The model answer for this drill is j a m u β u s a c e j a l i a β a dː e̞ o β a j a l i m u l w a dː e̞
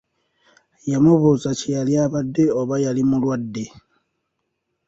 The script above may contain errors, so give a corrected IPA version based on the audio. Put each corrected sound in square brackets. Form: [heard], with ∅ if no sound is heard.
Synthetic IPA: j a m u β u [z] a c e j a l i a β a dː e̞ o β a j a l i m u l w a dː e̞

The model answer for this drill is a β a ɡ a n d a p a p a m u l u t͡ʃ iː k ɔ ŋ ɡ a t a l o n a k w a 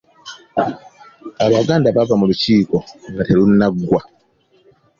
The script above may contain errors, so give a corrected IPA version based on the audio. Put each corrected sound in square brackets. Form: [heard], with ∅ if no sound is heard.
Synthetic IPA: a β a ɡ a n d a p a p a m u l u t͡ʃ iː k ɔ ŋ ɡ a t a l [u] n a [ɡ] w a

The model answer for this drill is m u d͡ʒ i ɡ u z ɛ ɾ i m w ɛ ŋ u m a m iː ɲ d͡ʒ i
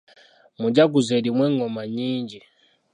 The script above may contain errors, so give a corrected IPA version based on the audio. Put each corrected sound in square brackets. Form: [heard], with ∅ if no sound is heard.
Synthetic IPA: m u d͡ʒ [a] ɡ u z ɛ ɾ i m w ɛ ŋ [ɔ] m a [ɲ] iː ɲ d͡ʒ i

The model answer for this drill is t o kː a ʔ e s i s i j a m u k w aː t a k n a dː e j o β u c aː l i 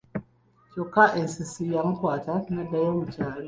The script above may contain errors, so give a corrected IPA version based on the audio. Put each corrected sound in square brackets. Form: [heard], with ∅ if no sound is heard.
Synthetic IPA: [c] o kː a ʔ e s i s i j a m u k w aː t a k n a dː [a] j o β u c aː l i

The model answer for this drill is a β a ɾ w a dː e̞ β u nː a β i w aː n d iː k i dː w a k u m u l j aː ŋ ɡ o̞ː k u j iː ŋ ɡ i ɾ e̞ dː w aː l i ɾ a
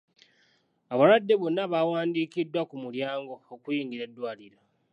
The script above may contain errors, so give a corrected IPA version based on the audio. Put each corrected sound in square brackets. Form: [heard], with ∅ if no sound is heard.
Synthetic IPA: a β a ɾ w a dː e̞ β [o] nː a β [a] w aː n d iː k i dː w a k u m u l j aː ŋ ɡ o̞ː k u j iː ŋ ɡ i ɾ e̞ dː w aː l i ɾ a

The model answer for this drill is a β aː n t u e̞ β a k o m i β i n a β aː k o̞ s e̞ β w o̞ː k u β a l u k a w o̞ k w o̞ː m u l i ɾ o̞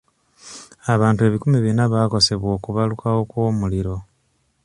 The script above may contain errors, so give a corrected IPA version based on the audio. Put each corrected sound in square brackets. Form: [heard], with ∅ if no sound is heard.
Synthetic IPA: a β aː n t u e̞ β [i] k [u] m i β i n a β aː k o̞ s e̞ β w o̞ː k u β a l u k a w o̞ k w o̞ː m u l i ɾ o̞

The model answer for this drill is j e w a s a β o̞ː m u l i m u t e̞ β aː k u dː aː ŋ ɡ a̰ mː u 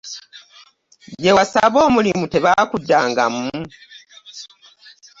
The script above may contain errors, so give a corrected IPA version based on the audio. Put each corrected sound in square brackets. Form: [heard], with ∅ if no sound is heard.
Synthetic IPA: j e w a s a β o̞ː m u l i m u t e̞ β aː k u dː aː ŋ ɡ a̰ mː u

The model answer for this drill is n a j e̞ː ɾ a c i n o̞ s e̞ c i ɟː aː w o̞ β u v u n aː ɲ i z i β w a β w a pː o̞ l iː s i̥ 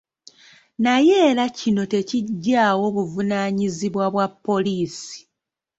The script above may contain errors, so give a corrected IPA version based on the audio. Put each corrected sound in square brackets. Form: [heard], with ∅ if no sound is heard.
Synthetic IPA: n a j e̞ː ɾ a c i n o̞ [t] e̞ c i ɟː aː w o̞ β u v u n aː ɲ i z i β w a β w a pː o̞ l iː s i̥

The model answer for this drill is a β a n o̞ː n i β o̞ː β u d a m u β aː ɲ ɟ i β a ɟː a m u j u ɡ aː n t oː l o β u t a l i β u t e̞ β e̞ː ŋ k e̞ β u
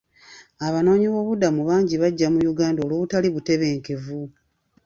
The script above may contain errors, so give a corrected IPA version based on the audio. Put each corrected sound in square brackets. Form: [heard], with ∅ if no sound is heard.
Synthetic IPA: a β a n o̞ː [ɲ] i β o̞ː β u d a m u β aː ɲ ɟ i β a ɟː a m u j u ɡ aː n [d] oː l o β u t a l i β u t e̞ β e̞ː ŋ k e̞ [v] u

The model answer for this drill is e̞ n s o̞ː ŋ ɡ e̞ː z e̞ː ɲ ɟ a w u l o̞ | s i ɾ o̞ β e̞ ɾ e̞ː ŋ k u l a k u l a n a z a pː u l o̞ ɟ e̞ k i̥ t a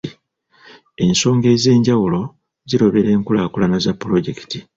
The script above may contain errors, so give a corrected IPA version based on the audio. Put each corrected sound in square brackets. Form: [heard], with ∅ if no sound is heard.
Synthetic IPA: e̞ n s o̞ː ŋ ɡ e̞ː z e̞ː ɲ ɟ a w u l o̞ | [z] i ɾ o̞ β e̞ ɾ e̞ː ŋ k u l a k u l a n a z a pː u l o̞ ɟ e̞ k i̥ t [i]

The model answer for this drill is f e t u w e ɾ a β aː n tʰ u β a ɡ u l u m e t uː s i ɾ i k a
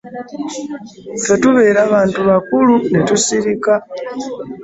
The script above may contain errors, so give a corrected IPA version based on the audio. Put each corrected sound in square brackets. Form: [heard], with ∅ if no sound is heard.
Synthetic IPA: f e t u [β] e ɾ a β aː n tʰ u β a [k] u l u [n] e t [u] s i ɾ i k a

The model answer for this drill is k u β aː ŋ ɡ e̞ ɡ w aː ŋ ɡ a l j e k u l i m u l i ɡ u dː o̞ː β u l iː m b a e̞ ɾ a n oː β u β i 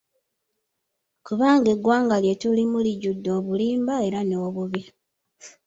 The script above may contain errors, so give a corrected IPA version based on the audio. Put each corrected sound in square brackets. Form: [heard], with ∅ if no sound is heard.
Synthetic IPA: k u β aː ŋ ɡ e̞ ɡ w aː ŋ ɡ a l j e [t] u l i m u l i [ɟ] u dː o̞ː β u l iː m b a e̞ ɾ a n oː β u β i

